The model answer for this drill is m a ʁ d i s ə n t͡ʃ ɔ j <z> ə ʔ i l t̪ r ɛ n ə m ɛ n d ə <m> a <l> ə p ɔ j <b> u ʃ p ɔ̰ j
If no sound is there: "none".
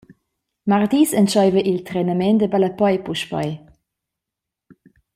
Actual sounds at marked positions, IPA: v, b, l, p

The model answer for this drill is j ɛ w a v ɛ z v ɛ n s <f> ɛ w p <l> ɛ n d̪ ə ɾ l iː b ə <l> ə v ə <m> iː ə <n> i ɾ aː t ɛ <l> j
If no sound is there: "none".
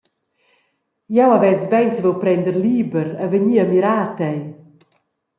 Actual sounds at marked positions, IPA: v, ɾ, ɾ, ɲ, m, none

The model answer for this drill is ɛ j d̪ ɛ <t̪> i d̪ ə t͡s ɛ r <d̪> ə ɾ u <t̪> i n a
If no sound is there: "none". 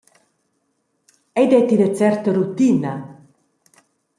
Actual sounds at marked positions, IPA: t̪, t̪, t̪

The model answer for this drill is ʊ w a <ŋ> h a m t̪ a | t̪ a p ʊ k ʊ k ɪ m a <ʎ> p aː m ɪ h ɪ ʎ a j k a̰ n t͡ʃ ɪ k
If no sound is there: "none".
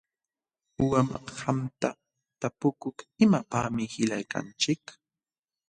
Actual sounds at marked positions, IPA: m, none

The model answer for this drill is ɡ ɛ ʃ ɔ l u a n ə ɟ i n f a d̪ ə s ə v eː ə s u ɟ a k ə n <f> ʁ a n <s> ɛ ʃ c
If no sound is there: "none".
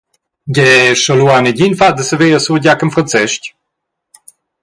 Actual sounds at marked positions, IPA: f, t͡s

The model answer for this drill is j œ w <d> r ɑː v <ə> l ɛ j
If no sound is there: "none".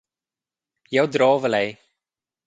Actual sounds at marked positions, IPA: d, ə

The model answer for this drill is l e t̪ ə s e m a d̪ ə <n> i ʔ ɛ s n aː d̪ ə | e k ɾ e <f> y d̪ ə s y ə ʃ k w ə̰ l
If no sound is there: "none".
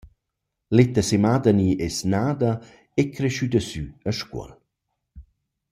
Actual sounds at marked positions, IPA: n, ʃ

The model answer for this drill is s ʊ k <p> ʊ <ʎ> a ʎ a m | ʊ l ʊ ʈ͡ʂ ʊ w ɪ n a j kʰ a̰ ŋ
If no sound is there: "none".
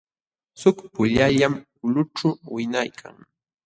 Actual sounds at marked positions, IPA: p, ʎ

